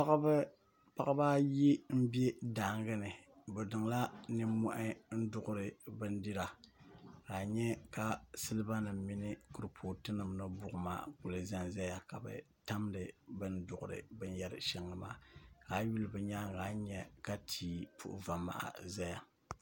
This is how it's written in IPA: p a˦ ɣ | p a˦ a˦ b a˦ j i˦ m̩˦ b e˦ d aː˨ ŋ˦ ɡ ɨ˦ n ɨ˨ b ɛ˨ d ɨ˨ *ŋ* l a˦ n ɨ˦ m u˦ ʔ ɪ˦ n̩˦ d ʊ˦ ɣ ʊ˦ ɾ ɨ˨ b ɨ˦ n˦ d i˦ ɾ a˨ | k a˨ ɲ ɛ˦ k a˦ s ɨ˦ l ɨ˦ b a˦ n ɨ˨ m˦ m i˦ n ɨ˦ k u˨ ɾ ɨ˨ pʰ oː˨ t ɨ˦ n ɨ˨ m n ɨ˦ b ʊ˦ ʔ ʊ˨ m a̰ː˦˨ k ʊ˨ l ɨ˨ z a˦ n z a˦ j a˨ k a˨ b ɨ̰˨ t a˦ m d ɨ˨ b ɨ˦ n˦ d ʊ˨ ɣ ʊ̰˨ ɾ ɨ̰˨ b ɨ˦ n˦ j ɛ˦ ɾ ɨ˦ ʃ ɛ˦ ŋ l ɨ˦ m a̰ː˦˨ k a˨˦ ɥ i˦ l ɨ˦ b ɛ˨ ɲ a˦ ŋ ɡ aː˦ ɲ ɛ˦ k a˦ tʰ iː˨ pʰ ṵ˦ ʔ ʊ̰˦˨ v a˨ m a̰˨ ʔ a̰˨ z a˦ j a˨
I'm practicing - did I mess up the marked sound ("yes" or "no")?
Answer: no